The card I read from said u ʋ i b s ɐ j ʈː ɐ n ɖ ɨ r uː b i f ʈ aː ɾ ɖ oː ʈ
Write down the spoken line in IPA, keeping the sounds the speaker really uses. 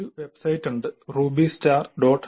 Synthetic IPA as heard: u ʋ e b s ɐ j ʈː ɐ ɳ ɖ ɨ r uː b i s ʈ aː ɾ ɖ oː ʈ